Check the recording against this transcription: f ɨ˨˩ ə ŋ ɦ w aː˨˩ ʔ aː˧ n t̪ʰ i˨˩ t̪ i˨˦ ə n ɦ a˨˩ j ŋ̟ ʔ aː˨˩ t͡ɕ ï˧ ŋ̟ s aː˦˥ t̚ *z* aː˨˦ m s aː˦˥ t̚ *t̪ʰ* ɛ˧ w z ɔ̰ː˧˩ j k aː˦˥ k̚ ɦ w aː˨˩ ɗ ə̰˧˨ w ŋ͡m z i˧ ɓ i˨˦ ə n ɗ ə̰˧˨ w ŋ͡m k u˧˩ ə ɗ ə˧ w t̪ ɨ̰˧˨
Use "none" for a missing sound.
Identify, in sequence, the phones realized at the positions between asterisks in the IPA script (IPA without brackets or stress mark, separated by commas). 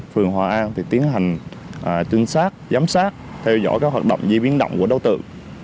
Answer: z, t̪ʰ